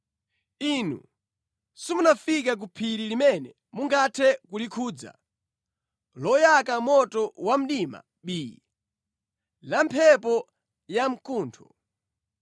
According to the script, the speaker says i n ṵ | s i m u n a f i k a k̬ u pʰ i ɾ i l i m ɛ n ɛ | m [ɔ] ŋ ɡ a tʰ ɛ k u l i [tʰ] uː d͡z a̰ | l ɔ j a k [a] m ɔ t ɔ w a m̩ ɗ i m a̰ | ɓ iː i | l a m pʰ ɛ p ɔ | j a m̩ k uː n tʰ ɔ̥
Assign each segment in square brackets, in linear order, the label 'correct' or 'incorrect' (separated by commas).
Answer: incorrect, incorrect, correct